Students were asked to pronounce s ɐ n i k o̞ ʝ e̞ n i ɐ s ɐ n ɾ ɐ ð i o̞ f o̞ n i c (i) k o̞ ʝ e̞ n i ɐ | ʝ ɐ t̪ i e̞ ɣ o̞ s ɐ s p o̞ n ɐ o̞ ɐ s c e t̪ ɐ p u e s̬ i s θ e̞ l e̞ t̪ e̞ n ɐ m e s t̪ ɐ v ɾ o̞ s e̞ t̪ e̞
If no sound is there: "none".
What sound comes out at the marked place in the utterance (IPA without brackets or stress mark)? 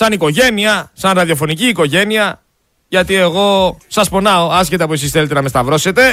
iː